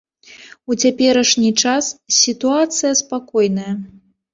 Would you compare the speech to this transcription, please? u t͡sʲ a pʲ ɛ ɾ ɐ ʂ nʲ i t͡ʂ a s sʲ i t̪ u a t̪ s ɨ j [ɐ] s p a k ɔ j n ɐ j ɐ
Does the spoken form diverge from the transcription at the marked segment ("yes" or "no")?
no